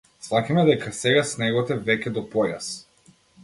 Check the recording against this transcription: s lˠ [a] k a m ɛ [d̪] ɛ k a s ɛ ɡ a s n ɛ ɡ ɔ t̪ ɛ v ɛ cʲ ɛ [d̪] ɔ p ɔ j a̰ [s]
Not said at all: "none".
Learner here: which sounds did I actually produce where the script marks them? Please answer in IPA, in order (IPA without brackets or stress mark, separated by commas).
a, d̪, d̪, s